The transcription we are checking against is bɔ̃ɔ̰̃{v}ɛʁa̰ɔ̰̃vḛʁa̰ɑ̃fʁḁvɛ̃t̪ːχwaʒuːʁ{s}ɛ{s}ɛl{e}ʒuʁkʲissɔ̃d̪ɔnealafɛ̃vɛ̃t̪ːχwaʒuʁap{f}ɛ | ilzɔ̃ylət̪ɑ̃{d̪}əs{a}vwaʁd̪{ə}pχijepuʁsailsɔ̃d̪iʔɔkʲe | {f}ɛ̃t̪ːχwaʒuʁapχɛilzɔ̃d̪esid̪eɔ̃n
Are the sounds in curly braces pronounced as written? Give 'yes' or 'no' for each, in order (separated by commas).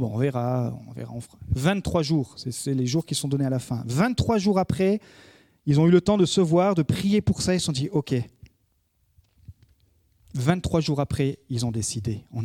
yes, yes, yes, yes, no, yes, no, yes, no